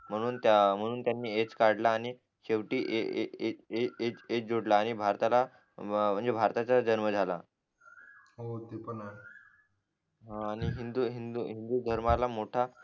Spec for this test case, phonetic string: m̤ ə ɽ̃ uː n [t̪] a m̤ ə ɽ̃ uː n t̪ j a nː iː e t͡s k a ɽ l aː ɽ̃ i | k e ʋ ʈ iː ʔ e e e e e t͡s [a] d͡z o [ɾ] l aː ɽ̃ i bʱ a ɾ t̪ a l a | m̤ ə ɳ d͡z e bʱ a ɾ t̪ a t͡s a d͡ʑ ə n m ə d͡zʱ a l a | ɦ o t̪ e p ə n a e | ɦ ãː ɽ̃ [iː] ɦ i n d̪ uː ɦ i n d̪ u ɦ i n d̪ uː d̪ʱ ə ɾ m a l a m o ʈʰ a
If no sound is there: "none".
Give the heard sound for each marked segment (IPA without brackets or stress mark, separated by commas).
t̪, e, ɽ, i